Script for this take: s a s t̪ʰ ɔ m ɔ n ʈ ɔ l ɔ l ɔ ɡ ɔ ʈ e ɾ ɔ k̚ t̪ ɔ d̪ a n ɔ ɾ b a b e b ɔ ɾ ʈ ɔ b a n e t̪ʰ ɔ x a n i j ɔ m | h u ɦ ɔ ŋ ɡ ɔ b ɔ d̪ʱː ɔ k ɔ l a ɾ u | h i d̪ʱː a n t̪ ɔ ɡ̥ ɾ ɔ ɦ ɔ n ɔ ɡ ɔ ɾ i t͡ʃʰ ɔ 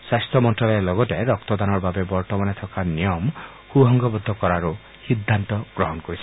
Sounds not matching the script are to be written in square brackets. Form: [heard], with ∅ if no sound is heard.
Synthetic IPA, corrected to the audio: s a s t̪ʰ ɔ m ɔ n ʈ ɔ l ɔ l ɔ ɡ ɔ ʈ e ɾ ɔ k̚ t̪ ɔ d̪ a n ɔ ɾ b a b e b ɔ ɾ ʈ ɔ [m] a n e t̪ʰ ɔ [k] a n i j ɔ m | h u ɦ ɔ ŋ ɡ ɔ b ɔ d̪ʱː ɔ k ɔ [ɾ] a ɾ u | h i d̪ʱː a n t̪ ɔ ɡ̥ ɾ ɔ ɦ ɔ n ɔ [k] ɔ ɾ i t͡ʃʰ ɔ

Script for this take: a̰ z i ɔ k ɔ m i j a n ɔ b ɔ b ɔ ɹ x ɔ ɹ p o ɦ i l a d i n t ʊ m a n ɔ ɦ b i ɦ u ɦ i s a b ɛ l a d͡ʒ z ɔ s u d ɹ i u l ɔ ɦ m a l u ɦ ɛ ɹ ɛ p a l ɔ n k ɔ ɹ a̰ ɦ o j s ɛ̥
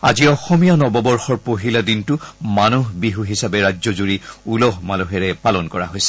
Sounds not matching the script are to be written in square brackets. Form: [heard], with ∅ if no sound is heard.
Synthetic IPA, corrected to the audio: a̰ z i ɔ [x] ɔ m i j a n ɔ b ɔ b ɔ ɹ x ɔ ɹ p o ɦ i l a d i n t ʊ m a n [u] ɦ b i ɦ u ɦ i s a b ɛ [ɹ] a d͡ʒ z ɔ [z] u [∅] ɹ i u l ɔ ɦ m a l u ɦ ɛ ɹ ɛ p a l ɔ n k ɔ ɹ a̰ ɦ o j s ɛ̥

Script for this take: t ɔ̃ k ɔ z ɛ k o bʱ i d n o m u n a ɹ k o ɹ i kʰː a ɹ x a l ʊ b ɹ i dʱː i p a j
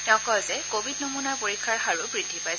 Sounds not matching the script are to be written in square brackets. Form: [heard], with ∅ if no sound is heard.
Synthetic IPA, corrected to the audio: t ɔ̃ k ɔ z ɛ k o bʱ i d n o m u n a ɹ [p] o ɹ i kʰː a ɹ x a [ɹ] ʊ b ɹ i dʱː i p a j

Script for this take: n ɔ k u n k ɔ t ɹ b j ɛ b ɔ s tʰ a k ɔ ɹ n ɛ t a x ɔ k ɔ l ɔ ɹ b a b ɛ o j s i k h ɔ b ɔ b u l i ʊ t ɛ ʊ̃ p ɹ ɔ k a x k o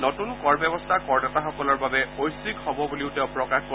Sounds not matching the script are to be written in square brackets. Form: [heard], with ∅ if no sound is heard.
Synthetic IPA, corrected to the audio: n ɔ [t] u n k ɔ [∅] ɹ b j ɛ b ɔ s tʰ a k ɔ ɹ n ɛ t a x ɔ k ɔ l ɔ ɹ b a b ɛ o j s i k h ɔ b ɔ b u l i ʊ t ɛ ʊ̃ p ɹ ɔ k a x k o

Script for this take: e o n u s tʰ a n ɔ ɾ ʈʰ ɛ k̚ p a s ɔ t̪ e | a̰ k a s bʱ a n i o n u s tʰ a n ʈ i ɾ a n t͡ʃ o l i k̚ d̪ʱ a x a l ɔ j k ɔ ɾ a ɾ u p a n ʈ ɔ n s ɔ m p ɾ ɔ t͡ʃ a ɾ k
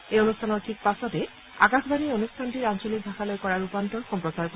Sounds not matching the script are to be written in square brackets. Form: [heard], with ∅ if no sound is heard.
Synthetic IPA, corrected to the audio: e o n u s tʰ a n ɔ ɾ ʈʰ [i] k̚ p a s ɔ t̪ e | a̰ k a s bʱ a n i o n u s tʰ a n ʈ i ɾ a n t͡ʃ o l i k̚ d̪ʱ a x a l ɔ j k ɔ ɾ a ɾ u p a n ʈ ɔ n [x] ɔ m p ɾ ɔ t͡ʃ a ɾ k

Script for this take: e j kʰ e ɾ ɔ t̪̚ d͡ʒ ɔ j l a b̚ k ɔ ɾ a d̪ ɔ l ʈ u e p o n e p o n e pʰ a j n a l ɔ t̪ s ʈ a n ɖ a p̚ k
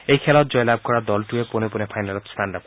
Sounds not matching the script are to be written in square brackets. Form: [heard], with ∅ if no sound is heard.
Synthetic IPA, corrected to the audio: e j kʰ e [l] ɔ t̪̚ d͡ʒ ɔ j l a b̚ k ɔ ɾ a d̪ ɔ l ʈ u e p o n e p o n e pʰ a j n a l ɔ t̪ s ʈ a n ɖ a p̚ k

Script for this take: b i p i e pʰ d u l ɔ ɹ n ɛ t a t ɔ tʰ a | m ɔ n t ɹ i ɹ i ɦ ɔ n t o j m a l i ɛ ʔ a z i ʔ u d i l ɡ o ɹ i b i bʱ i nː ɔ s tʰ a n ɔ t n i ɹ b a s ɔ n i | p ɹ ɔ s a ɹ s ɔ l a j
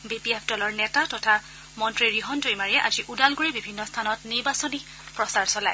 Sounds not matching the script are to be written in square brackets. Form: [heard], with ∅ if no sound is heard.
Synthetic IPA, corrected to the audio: b i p i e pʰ d [ɔ] l ɔ ɹ n ɛ t a t ɔ tʰ a | m ɔ n t ɹ i ɹ i ɦ ɔ n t o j m a [ɹ] i ɛ ʔ a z i ʔ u d [a] l ɡ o ɹ i b i bʱ i nː ɔ s tʰ a n ɔ t n i ɹ b a s ɔ n i | p ɹ ɔ s a ɹ s ɔ l a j

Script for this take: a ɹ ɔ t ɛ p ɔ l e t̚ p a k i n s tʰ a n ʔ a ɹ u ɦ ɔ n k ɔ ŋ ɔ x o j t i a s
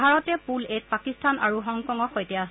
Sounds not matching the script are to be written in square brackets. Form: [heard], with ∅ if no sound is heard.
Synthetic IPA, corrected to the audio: a ɹ ɔ t ɛ p [u] l e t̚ p a k i [∅] s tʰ a n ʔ a ɹ u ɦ ɔ [ŋ] k ɔ ŋ ɔ x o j t [ɛ] a s

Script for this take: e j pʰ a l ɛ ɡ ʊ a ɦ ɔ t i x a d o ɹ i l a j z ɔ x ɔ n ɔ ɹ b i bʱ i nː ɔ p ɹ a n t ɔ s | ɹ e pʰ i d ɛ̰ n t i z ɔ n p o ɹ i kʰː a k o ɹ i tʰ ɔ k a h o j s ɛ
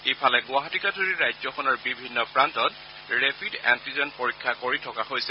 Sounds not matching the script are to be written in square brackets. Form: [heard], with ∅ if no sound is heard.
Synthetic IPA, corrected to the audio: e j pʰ a l ɛ ɡ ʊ a ɦ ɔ t i [k] a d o ɹ i [ɹ] a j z ɔ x ɔ n ɔ ɹ b i bʱ i nː ɔ p ɹ a n t ɔ [t] | ɹ e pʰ i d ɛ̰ n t i z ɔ n p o ɹ i kʰː a k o ɹ i tʰ ɔ k a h o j s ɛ

